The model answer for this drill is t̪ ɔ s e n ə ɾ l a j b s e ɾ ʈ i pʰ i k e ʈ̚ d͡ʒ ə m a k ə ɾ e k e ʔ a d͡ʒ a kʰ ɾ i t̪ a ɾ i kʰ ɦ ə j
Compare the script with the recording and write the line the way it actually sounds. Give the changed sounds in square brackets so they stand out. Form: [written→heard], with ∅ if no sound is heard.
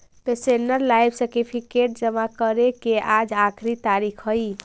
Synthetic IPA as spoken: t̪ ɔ s e n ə ɾ l a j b s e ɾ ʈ i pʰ i k e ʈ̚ d͡ʒ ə m a k ə ɾ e k e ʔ a d͡ʒ a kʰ ɾ i t̪ a ɾ i kʰ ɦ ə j